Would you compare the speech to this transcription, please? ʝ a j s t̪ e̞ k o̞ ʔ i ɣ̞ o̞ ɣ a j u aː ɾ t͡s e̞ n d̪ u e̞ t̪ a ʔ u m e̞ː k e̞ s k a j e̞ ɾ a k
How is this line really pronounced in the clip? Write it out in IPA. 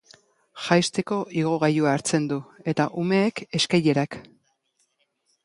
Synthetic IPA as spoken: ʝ a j s t̪ e̞ k o̞ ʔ i ɣ̞ o̞ ɣ a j u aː ɾ t͡s e̞ n d̪ u e̞ t̪ a ʔ u m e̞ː k e̞ s k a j e̞ ɾ a k

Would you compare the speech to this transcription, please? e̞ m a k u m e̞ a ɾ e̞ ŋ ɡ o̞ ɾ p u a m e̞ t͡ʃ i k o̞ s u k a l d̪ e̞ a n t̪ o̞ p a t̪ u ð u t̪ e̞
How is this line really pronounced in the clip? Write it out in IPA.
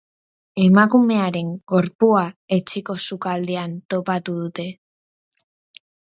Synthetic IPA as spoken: e̞ m a k u m e̞ a ɾ e̞ ŋ ɡ o̞ ɾ p u a e̞ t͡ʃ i k o̞ s u k a l d̪ e̞ a n t̪ o̞ p a t̪ u ð u t̪ e̞

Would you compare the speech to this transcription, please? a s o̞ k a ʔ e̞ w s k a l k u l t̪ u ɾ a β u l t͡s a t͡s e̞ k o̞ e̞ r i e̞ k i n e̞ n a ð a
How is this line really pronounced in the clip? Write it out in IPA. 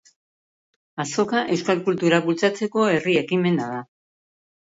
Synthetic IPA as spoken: a s o̞ k a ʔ e̞ w s k a l k u l t̪ u ɾ a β u l t͡s a t͡s e̞ k o̞ e̞ r i e̞ k i m e̞ n a ð a

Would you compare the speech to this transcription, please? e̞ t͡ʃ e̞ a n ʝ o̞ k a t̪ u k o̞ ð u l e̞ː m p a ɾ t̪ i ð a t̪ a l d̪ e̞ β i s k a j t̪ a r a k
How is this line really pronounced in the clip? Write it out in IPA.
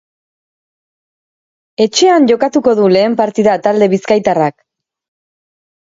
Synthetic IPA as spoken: e̞ t͡ʃ e̞ a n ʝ o̞ k a t̪ u k o̞ ð u l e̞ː m p a ɾ t̪ i ð a t̪ a l d̪ e̞ β i s k a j t̪ a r a k

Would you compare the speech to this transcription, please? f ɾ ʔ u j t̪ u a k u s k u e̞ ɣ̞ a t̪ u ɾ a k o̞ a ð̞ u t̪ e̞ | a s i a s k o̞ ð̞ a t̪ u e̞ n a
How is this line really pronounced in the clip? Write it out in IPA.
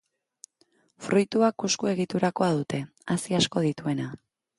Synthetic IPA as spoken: f ɾ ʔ u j t̪ u a k u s k u e̞ ɣ̞ i t̪ u ɾ a k o̞ a ð̞ u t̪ e̞ | a s i a s k o̞ ð̞ i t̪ u e̞ n a

